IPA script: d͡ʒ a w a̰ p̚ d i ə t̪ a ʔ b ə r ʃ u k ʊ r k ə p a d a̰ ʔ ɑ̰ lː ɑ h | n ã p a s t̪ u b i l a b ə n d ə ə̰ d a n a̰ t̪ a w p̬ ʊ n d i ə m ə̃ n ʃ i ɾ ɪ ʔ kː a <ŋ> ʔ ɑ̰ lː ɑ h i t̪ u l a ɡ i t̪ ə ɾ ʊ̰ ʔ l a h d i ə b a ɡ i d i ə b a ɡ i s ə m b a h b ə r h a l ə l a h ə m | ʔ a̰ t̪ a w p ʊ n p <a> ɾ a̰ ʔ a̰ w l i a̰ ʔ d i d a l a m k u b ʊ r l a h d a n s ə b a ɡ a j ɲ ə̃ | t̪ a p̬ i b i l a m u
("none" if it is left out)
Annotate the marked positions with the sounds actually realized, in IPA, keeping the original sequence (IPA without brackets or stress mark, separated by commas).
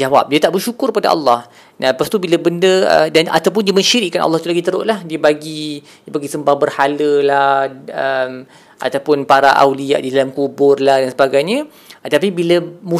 n, a